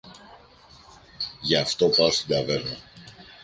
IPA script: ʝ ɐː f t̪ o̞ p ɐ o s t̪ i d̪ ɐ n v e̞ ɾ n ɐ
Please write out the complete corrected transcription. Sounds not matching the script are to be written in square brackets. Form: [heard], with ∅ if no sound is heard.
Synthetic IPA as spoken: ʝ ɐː f t̪ o̞ p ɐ o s t̪ i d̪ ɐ [∅] v e̞ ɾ n ɐ